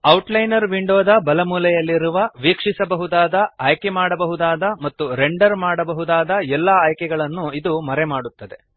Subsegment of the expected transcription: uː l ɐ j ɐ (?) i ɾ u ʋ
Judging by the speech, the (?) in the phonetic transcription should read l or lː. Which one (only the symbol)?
lː